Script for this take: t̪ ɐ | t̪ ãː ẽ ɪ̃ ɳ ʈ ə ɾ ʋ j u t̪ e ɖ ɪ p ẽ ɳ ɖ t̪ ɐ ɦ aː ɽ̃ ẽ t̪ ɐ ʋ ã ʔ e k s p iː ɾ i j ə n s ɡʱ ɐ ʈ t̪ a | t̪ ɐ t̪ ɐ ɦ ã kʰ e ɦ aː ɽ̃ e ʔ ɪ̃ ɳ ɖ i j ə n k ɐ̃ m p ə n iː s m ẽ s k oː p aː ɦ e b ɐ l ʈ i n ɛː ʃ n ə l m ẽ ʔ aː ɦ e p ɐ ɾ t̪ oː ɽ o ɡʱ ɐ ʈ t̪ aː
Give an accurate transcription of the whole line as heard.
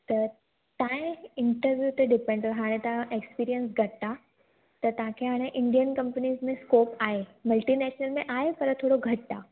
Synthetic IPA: t̪ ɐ | t̪ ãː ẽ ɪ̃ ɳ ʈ ə ɾ ʋ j u t̪ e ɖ ɪ p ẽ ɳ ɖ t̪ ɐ ɦ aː ɽ̃ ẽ t̪ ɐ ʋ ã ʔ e k s p iː ɾ i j ə n s ɡʱ ɐ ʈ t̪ a | t̪ ɐ t̪ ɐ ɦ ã kʰ e ɦ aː ɽ̃ e ʔ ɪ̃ ɳ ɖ i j ə n k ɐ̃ m p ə n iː z m ẽ s k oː p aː ɦ e m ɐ l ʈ i n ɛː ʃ n ə l m ẽ ʔ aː ɦ e p ɐ ɾ t̪ʰ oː ɽ o ɡʱ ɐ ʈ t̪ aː